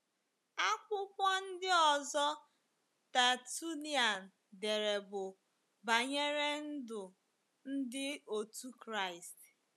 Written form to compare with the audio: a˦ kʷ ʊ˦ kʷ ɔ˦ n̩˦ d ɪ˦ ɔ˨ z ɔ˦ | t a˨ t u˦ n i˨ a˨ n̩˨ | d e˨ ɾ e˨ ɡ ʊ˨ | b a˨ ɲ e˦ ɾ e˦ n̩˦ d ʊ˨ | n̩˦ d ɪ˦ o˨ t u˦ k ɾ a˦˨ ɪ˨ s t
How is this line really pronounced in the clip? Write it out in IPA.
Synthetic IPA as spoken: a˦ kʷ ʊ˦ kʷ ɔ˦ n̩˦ d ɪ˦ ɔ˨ z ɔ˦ | t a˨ t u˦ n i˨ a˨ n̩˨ | d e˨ ɾ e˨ b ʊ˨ | b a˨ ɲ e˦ ɾ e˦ n̩˦ d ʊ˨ | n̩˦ d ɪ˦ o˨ t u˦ k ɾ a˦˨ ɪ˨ s t